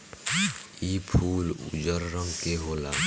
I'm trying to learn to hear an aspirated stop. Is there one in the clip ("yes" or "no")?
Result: yes